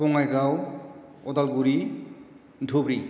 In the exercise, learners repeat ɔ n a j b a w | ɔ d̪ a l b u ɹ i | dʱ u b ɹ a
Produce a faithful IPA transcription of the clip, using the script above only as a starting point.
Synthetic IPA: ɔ ŋ a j ɡ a w | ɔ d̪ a l ɡ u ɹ i | dʱ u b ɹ i